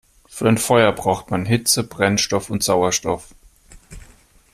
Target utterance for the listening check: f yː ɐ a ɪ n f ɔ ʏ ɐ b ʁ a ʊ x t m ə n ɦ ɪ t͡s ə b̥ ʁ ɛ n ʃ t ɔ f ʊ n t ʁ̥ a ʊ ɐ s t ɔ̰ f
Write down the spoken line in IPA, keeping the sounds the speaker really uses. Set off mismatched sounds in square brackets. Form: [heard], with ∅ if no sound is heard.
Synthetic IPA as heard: f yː ɐ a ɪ n f ɔ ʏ ɐ b ʁ a ʊ x t m [a] n ɦ ɪ t͡s ə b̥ ʁ ɛ n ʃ t ɔ f ʊ n t [z̥] a ʊ ɐ [ʃ] t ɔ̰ f